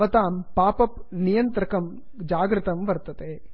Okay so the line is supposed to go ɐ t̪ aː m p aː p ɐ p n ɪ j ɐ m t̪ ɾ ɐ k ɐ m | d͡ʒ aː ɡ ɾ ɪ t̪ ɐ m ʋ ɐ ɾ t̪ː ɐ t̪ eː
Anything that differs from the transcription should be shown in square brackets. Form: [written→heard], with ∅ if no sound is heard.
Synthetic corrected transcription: ɐ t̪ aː m p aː p ɐ p n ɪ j ɐ [m→n] t̪ ɾ ɐ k ɐ m | d͡ʒ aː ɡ ɾ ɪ t̪ ɐ m ʋ ɐ ɾ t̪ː ɐ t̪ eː